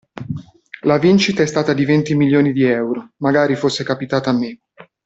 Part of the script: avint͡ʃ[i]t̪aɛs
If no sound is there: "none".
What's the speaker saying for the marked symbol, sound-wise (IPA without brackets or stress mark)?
i